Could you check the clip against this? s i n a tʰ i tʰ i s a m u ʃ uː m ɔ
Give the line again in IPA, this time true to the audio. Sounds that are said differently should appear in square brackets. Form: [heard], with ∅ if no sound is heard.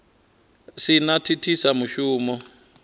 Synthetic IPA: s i n a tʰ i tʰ i s a m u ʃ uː m ɔ